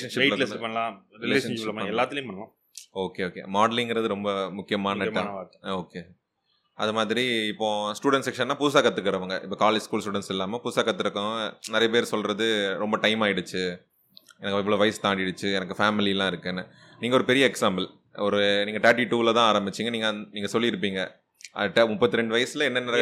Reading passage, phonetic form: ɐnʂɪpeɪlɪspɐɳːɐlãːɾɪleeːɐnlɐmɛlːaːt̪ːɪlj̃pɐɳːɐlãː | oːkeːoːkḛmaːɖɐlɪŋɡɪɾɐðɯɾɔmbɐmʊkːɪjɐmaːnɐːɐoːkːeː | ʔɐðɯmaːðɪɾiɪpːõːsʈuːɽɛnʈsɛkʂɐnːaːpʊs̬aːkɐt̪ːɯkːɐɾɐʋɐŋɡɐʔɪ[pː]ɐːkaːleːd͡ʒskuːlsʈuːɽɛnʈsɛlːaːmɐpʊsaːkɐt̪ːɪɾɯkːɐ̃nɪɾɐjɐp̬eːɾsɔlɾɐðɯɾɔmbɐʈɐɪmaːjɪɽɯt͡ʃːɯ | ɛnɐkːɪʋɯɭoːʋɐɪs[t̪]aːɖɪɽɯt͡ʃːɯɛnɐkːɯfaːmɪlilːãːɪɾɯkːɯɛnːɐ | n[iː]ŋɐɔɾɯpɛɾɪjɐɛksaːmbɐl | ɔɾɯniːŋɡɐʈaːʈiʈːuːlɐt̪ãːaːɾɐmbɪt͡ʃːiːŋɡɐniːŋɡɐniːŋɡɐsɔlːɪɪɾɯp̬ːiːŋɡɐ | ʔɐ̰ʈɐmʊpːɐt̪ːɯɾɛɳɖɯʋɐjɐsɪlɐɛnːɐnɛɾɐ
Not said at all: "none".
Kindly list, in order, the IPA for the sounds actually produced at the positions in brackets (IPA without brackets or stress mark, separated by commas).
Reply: pː, t̪, iː